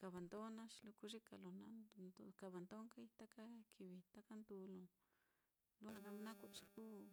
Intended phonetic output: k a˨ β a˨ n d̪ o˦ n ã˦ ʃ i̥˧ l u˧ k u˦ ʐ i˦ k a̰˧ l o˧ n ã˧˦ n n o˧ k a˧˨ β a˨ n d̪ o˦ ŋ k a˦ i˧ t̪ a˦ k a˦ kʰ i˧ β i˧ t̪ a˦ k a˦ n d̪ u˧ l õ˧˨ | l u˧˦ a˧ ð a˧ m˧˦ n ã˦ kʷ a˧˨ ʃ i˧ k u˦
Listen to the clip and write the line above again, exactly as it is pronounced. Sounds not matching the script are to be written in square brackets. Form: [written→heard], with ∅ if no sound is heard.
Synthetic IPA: k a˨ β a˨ n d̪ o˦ n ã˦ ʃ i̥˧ l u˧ k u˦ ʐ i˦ k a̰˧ l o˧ n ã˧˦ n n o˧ k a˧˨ β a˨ n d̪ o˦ ŋ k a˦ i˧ t̪ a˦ k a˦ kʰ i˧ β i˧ t̪ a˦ k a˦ n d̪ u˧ l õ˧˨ | l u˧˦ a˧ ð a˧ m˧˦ n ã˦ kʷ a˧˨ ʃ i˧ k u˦